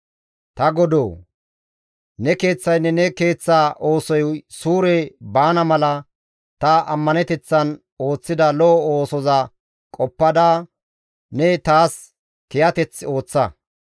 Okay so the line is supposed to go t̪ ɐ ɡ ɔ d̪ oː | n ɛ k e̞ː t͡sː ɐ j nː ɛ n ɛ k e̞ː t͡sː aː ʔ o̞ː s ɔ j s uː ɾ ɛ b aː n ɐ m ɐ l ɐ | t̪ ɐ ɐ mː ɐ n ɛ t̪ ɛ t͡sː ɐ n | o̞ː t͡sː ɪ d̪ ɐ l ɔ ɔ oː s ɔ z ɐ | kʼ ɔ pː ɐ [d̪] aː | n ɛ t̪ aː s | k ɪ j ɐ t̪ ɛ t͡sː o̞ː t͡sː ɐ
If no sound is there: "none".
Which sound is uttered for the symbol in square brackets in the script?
d̪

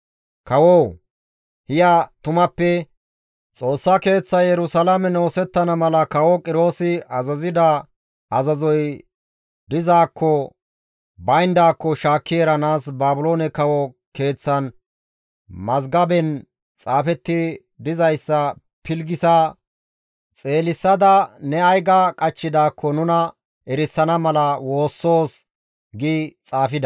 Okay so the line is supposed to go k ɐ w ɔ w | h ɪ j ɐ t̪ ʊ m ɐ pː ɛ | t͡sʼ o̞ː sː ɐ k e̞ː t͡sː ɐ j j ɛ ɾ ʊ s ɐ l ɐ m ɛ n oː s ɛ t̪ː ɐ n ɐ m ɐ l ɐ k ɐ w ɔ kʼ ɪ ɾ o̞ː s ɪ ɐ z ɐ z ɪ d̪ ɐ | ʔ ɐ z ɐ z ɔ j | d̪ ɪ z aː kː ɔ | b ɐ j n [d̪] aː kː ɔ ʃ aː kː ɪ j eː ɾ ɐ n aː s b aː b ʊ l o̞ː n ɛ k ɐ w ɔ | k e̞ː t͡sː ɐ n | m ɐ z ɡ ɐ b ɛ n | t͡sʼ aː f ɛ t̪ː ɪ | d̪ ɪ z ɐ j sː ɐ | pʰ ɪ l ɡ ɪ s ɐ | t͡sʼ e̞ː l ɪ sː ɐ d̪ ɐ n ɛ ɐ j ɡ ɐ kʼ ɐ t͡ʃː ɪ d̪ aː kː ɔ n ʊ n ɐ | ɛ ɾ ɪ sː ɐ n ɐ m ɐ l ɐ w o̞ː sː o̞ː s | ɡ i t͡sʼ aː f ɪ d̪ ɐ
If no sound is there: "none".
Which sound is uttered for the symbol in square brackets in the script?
d̪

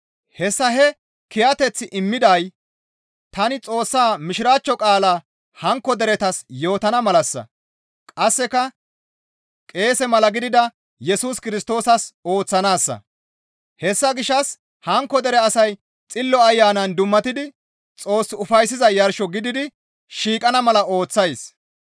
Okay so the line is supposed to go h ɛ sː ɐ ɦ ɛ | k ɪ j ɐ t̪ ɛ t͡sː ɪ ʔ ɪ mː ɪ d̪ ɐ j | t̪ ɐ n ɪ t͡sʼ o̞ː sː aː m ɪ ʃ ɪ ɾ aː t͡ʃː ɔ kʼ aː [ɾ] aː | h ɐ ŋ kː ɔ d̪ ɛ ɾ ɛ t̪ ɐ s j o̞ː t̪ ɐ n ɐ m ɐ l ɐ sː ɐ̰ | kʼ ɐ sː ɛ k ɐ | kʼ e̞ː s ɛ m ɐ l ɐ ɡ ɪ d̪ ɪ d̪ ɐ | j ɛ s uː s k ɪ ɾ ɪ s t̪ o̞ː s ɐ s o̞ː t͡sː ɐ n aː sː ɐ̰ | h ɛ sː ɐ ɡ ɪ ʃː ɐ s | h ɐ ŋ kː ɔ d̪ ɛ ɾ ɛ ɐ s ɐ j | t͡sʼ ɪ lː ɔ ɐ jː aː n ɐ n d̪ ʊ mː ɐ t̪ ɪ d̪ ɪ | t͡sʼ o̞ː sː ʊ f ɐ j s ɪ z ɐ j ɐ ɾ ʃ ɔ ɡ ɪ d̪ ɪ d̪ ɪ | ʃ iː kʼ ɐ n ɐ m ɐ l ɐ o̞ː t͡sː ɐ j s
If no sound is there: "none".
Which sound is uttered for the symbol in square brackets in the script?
l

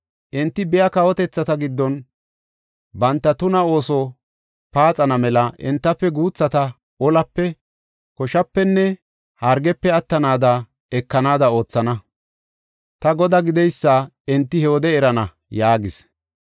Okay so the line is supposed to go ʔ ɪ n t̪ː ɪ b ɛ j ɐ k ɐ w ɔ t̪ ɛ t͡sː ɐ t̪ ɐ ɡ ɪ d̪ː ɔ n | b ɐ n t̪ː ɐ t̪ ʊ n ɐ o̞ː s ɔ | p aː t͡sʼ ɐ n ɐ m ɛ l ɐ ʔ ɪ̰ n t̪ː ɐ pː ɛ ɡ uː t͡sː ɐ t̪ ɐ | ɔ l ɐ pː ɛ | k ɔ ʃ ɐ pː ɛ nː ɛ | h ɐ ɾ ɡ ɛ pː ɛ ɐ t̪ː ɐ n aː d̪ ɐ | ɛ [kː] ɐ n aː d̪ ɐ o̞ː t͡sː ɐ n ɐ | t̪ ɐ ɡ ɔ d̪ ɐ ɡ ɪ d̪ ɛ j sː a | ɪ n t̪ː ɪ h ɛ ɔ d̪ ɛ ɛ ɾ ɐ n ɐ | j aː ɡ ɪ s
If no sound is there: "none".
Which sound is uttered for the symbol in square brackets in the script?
kː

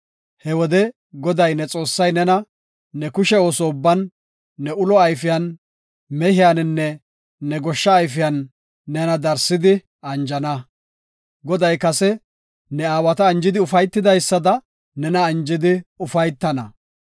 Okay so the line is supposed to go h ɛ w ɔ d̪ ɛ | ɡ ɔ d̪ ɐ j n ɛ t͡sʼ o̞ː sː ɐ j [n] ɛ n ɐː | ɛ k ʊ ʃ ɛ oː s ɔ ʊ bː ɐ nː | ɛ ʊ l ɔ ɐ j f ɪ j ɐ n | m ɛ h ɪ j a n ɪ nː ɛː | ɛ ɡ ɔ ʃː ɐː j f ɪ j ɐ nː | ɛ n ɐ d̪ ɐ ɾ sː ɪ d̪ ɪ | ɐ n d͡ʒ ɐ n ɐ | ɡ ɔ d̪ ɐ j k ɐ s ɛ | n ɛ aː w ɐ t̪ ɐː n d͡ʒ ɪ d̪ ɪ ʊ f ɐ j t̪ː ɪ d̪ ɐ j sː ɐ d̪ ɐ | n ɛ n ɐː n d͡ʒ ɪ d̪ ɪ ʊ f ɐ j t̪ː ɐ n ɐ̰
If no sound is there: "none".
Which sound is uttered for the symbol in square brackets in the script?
n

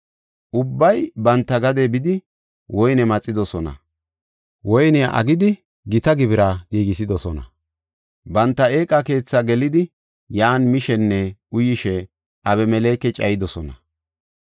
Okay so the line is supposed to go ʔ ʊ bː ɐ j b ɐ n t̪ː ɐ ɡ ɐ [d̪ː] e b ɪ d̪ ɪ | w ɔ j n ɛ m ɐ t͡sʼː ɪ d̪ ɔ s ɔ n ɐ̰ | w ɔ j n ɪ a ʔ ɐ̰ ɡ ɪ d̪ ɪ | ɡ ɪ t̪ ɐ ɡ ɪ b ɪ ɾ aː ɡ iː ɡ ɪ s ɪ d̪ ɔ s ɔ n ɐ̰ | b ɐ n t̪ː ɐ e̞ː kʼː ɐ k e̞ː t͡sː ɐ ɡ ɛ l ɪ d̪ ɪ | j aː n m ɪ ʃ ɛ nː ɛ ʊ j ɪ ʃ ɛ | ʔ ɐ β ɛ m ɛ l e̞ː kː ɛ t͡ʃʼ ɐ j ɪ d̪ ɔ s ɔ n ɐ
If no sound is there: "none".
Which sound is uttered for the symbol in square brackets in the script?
d̪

